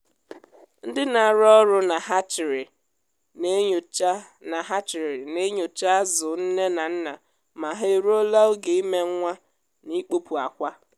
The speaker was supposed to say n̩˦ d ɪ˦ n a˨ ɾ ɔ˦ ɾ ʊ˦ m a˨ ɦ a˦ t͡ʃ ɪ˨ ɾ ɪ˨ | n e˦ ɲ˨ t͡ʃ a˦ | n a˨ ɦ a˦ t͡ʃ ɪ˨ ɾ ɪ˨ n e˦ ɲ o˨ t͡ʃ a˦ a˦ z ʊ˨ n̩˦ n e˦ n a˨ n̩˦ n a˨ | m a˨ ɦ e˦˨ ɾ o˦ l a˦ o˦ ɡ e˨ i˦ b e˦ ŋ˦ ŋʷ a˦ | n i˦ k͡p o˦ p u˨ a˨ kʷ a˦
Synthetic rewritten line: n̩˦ d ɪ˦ n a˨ ɾ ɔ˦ ɾ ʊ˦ n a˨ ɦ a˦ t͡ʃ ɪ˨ ɾ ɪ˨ | n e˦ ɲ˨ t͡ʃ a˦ | n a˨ ɦ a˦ t͡ʃ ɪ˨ ɾ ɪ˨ n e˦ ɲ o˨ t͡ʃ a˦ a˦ z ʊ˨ n̩˦ n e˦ n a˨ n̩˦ n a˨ | m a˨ ɦ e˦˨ ɾ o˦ l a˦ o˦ ɡ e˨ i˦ m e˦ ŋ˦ ŋʷ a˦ | n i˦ k͡p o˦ p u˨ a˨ kʷ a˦